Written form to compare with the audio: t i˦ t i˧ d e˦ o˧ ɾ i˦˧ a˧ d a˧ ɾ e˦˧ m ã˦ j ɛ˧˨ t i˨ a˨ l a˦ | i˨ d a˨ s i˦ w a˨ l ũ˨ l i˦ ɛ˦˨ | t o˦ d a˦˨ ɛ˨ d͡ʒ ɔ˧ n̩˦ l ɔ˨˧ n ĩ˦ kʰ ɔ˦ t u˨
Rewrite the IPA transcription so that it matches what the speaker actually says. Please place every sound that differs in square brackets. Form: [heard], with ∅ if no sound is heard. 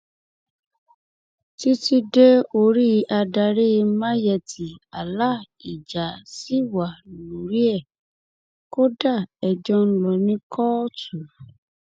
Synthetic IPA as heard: t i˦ t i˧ d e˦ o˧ ɾ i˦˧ a˧ d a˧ ɾ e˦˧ m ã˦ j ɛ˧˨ t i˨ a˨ l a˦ | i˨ [d͡ʒ] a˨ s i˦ w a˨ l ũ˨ [ɾ] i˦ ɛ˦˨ | [k] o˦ d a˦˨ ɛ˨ d͡ʒ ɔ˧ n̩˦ l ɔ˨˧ n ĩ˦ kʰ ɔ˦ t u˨